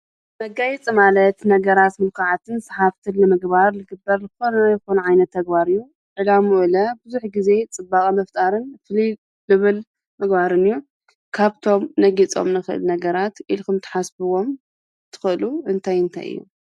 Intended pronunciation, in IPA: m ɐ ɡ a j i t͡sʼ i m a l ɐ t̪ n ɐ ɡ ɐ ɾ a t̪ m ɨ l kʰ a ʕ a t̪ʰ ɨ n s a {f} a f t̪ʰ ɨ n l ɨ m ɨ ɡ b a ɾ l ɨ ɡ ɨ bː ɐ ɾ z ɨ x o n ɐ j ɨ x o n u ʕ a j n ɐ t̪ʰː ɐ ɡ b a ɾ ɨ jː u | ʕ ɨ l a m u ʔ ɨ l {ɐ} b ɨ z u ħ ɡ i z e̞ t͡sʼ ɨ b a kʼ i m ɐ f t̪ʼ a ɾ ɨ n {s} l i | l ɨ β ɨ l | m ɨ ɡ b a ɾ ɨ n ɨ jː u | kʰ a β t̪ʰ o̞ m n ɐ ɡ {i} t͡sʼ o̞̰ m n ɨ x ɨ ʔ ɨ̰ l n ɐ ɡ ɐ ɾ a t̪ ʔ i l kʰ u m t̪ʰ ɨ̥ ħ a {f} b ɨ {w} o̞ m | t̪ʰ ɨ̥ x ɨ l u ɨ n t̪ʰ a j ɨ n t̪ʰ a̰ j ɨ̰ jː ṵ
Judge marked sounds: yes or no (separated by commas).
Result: no, yes, no, yes, no, yes